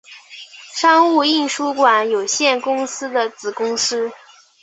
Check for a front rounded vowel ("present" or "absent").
absent